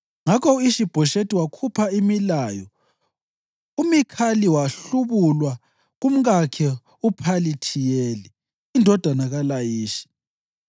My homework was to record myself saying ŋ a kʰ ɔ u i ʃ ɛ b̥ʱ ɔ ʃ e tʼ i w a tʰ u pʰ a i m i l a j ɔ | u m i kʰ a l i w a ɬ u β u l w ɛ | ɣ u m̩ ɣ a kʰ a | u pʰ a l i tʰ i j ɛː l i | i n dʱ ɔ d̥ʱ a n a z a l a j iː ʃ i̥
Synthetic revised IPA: ŋ a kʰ ɔ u i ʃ i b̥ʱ ɔ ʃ e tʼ i w a kʰ u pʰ a i m i l a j ɔ | u m i kʰ a l i w a ɬ u β u l w a | ɣ u m̩ ɣ a kʰ ɛ | u pʰ a l i tʰ i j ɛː l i | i n dʱ ɔ d̥ʱ a n a ɣ a l a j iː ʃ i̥

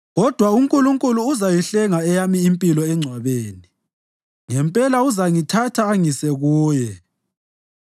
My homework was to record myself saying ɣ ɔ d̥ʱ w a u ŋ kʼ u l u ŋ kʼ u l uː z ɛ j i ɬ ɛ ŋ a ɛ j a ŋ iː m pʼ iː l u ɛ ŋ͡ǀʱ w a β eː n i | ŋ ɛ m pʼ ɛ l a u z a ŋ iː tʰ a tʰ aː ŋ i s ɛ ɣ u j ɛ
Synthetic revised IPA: ɣ ɔ d̥ʱ w a u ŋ kʼ u l u ŋ kʼ u l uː z a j i ɬ ɛ ŋ a ɛ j a m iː m pʼ i l ɔ ɛ ŋ͡ǀʱ w a β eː n i | ŋ ɛ m pʼ ɛ l a u z a ŋ i tʰ a tʰ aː ŋ i s ɛ ɣ uː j ɛ

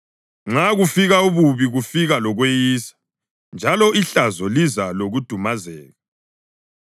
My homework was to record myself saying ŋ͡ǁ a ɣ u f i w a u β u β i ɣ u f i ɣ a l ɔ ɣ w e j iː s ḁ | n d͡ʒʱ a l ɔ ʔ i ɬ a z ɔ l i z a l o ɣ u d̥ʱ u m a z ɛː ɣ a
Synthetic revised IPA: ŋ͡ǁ a ɣ u f i ɣ a u β u β i ɣ u f i ɣ a l ɔ ɣ w e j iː s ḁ | n d͡ʒʱ a l ɔ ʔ i ɬ a z ɔ l i z a l o ɣ u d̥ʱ u m a z ɛː ɣ a

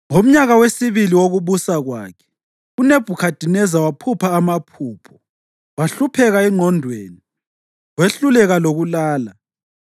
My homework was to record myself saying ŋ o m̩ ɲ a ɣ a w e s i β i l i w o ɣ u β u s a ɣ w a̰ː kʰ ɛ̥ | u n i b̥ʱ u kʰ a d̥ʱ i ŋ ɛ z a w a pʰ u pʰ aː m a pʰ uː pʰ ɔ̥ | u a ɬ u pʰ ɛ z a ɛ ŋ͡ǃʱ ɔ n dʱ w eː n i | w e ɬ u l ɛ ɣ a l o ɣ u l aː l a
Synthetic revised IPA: ŋ o m̩ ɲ a ɣ a w e s i β i l i w o ɣ u β u s a ɣ w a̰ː kʰ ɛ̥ | u n e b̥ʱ u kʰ a d̥ʱ i n ɛ z a w a pʰ u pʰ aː m a pʰ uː pʰ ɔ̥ | w a ɬ u pʰ ɛ ɣ a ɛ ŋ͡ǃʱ ɔ n dʱ w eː n i | w e ɬ u l ɛ ɣ a l o ɣ u l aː l a

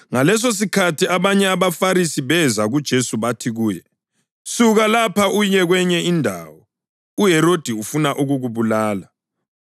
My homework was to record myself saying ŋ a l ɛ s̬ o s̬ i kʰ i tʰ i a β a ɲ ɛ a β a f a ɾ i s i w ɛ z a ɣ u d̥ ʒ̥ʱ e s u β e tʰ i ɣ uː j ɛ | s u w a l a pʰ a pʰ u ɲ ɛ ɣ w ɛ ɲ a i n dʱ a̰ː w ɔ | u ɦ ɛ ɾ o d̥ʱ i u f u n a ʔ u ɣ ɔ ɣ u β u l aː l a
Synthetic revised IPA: ŋ a l ɛ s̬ o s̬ i kʰ a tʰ i a β a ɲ ɛ a β a f a ɾ i s i β ɛ z a ɣ u d̥ ʒ̥ʱ e s u β a tʰ i ɣ uː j ɛ | s u ɣ a l a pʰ a u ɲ ɛ ɣ w ɛ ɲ ɛ i n dʱ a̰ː w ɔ | u ɦ ɛ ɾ o d̥ʱ i u f u n a ʔ u ɣ u ɣ u β u l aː l a

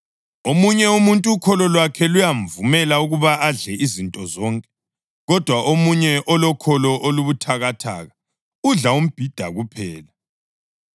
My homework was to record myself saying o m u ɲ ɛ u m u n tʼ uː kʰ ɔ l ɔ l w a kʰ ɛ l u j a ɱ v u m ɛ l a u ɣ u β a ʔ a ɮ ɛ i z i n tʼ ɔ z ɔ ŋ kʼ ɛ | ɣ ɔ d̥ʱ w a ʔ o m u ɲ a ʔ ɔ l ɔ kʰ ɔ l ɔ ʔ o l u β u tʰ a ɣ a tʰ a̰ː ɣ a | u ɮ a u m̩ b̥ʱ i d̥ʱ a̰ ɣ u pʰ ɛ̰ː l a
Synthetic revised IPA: o m u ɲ ɛ u m u n tʼ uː kʰ ɔ l ɔ l w a kʰ ɛ l u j a ɱ v u m ɛ l a u ɣ u β a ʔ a ɮ ɛ i z i n tʼ ɔ z ɔ ŋ kʼ ɛ | ɣ ɔ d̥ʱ w a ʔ o m u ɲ ɛ ʔ ɔ l ɔ kʰ ɔ l ɔ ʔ o l u β u tʰ a ɣ a tʰ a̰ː ɣ a | u ɮ a u m̩ b̥ʱ i d̥ʱ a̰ ɣ u pʰ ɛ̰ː l a

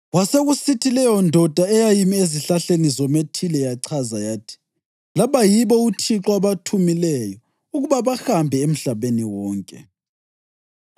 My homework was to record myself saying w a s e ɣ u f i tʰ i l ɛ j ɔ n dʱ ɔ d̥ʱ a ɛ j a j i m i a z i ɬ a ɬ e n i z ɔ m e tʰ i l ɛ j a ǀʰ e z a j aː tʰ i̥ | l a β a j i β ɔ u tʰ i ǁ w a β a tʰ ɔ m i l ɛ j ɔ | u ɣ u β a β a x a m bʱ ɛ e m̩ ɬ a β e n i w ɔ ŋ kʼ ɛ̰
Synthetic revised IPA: w a s e ɣ u s i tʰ i l ɛ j ɔ n dʱ ɔ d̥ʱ a ɛ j a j i m i e z i ɬ a ɬ e n i z ɔ m e tʰ i l ɛ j a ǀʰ a z a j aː tʰ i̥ | l a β a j i β ɔ u tʰ i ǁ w a β a tʰ u m i l ɛ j ɔ | u ɣ u β a β a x a m bʱ ɛ e m̩ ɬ a β e n i w ɔː ŋ kʼ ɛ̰

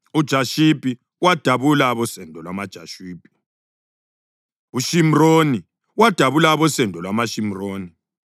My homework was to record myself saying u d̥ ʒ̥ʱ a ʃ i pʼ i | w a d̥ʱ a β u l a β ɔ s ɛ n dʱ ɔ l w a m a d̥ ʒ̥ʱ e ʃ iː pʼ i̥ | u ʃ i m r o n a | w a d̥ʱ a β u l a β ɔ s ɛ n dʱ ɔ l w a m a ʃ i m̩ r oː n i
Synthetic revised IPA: u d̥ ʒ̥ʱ a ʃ i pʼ i | w a d̥ʱ a β u l a β ɔ s ɛ n dʱ ɔ l w a m a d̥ ʒ̥ʱ a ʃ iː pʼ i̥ | u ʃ i m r o n i | w a d̥ʱ a β u l a β ɔ s ɛ n dʱ ɔ l w a m a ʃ i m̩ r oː n i

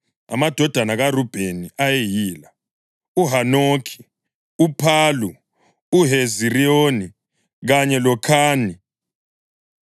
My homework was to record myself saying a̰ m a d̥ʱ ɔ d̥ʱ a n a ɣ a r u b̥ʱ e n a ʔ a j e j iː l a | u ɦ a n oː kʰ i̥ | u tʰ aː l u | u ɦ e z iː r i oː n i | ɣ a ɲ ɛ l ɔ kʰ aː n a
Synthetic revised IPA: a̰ m a d̥ʱ ɔ d̥ʱ a n a ɣ a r u b̥ʱ e n i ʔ a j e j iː l a | u ɦ a n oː kʰ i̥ | u pʰ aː l u | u ɦ e z i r i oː n i | ɣ a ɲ ɛ l ɔ kʰ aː n i

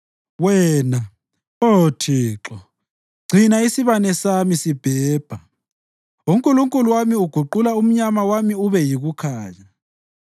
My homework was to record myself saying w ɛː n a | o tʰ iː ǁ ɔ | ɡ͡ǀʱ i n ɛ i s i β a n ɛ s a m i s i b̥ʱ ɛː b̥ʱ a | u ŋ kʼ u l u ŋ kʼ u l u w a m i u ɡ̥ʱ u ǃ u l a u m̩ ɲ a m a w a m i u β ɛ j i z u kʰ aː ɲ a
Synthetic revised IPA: w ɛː n a | o tʰ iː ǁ ɔ | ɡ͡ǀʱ i n a i s i β a n ɛ s a m i s i b̥ʱ ɛː b̥ʱ a | u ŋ kʼ u l u ŋ kʼ u l u w a m i u ɡ̥ʱ u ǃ u l a u m̩ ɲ a m a w a m i u β ɛ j i ɣ u kʰ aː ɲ a

